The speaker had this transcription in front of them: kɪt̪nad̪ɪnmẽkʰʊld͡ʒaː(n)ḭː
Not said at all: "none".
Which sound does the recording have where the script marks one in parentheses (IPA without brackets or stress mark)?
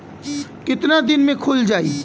none